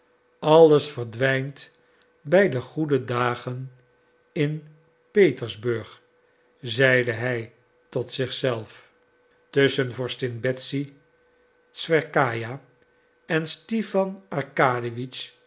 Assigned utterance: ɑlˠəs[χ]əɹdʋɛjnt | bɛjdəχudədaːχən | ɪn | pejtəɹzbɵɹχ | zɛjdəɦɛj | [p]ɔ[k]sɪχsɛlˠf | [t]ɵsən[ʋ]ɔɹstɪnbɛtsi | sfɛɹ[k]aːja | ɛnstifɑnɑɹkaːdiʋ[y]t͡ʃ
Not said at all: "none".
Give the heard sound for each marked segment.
f, t, t, t, v, k, i

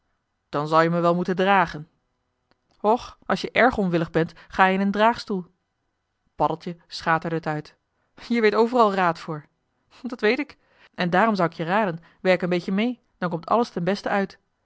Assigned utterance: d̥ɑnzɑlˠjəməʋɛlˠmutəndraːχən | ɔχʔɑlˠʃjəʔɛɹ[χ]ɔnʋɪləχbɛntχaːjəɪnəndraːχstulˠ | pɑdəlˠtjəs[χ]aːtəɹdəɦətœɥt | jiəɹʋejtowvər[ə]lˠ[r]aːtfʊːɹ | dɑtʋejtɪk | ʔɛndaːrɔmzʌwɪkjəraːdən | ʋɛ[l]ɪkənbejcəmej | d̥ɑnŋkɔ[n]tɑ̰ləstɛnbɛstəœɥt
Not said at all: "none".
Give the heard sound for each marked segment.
χ, χ, ɑ, r, ɹ, m

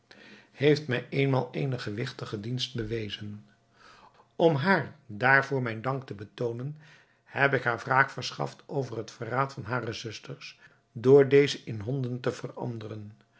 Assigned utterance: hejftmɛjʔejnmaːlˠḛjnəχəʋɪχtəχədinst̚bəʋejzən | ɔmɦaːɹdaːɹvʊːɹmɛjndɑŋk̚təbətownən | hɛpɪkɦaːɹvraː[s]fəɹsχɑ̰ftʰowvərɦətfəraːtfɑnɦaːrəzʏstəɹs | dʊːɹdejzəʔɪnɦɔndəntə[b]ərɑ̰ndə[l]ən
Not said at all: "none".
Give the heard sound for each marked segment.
χ, v, r

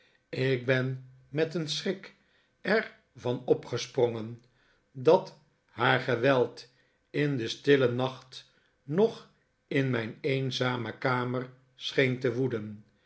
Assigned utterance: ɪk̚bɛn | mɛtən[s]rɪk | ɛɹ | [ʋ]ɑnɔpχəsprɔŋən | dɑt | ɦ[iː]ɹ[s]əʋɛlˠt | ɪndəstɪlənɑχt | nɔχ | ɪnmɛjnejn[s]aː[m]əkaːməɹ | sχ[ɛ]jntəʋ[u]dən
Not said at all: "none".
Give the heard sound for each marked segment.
s, v, aː, χ, z, m, e, u

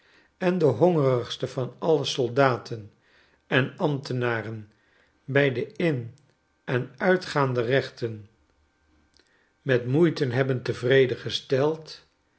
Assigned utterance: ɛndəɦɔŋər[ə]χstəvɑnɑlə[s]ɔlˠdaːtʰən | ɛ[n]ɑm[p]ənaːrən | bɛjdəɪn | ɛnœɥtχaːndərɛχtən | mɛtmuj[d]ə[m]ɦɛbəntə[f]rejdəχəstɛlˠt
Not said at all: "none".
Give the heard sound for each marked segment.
ə, s, n, t, t, n, v

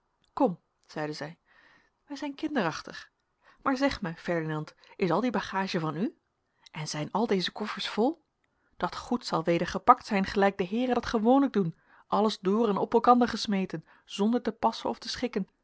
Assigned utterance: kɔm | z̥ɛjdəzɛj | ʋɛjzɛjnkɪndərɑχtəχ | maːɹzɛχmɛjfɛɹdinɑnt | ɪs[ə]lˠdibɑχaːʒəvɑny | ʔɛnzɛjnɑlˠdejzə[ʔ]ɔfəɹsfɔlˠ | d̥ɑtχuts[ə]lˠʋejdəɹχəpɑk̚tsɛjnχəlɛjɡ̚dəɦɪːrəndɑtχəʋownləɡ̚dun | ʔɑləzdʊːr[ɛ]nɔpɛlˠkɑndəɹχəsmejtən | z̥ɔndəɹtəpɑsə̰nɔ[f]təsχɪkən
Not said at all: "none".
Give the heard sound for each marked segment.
ɑ, k, ɑ, ɛ, f

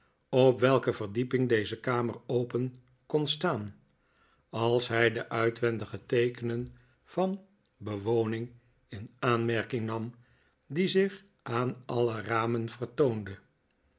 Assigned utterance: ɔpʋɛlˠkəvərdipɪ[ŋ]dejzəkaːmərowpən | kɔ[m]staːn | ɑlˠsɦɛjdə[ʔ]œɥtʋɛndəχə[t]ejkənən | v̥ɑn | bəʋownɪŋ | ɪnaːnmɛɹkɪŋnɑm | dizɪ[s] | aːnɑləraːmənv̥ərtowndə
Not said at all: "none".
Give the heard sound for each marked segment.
ŋ, n, ʔ, t, χ

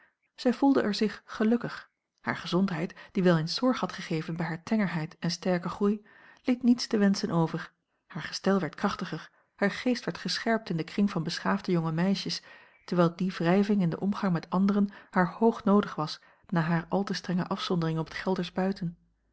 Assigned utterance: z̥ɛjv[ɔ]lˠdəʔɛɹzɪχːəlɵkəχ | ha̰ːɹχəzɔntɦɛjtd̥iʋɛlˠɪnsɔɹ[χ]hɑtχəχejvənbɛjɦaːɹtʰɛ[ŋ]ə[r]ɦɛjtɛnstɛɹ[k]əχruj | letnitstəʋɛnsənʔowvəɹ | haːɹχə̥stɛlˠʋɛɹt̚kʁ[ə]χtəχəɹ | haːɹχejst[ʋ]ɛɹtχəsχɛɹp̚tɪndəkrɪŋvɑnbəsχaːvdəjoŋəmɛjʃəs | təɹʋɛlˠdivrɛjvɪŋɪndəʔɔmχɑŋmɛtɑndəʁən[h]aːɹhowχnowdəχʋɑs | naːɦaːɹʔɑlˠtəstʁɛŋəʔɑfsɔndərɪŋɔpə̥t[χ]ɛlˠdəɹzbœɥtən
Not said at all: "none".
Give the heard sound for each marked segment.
u, χ, ŋ, ɹ, k, ɑ, ʋ, h, χ

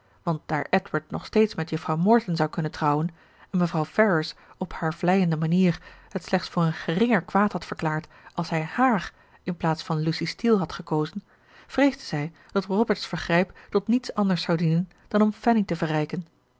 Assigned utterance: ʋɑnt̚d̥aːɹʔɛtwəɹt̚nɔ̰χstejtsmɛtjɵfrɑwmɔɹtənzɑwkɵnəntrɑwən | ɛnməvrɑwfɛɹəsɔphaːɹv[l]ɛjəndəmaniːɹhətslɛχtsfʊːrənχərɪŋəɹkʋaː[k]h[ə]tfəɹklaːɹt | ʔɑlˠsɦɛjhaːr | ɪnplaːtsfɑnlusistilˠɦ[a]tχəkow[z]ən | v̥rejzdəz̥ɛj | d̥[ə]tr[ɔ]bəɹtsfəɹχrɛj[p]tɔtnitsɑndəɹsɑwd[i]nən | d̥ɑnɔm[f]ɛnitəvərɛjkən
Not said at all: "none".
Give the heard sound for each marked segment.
l, t, ɑ, ɑ, z, ɑ, ɔ, p, i, f

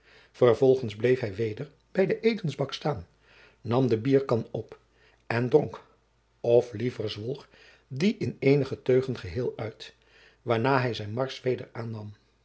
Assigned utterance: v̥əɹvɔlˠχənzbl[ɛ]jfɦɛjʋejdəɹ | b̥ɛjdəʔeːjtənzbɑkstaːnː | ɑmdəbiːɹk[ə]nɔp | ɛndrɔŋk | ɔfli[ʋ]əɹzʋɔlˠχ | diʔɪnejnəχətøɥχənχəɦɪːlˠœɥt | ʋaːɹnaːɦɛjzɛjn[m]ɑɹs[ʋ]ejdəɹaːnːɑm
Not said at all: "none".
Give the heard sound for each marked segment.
e, ɑ, v, m, ʋ

